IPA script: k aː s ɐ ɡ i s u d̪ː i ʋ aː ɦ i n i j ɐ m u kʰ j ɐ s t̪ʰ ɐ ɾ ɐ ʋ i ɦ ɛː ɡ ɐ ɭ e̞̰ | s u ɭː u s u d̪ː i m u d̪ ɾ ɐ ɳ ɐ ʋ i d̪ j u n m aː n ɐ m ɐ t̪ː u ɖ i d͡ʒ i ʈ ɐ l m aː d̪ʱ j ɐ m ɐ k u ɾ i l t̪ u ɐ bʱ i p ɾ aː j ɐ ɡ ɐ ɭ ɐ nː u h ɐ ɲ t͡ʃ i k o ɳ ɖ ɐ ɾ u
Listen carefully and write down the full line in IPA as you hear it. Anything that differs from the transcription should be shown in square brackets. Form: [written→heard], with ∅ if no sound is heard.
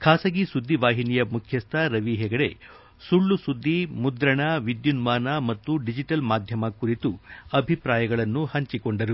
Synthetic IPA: [k→kʰ] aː s ɐ ɡ i s u d̪ː i ʋ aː ɦ i n i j ɐ m u kʰ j ɐ s t̪ʰ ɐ ɾ ɐ ʋ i ɦ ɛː ɡ ɐ [ɭ→ɽ] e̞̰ | s u ɭː u s u d̪ː i m u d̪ ɾ ɐ ɳ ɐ ʋ i d̪ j u n m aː n ɐ m ɐ t̪ː u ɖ i d͡ʒ i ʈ ɐ l m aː d̪ʱ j ɐ m ɐ k u ɾ i [l→∅] t̪ u ɐ bʱ i p ɾ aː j ɐ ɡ ɐ ɭ ɐ nː u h ɐ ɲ t͡ʃ i k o ɳ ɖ ɐ ɾ u

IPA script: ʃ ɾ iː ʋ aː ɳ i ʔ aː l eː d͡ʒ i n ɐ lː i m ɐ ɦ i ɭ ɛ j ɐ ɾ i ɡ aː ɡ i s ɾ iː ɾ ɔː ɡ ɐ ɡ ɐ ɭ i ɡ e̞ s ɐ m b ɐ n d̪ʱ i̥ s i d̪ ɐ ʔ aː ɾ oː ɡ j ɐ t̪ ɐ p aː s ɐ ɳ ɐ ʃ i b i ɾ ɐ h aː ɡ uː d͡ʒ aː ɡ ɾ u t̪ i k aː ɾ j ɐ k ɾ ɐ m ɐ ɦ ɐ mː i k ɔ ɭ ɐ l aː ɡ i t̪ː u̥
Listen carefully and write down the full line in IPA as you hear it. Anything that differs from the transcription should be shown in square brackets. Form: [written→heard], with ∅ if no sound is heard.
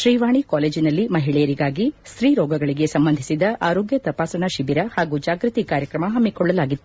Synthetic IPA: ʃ ɾ iː ʋ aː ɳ i [ʔ→k] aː l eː d͡ʒ i n ɐ lː i m ɐ ɦ i ɭ ɛ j ɐ ɾ i ɡ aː ɡ i s ɾ iː ɾ ɔː ɡ ɐ ɡ ɐ ɭ i ɡ e̞ s ɐ m b ɐ n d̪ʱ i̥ s i d̪ ɐ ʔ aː ɾ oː ɡ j ɐ t̪ ɐ p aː s ɐ ɳ ɐ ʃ i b i ɾ ɐ h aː ɡ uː d͡ʒ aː ɡ ɾ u t̪ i k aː ɾ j ɐ k ɾ ɐ m ɐ ɦ ɐ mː i k ɔ [ɭ→ɭː] ɐ l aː ɡ i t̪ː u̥

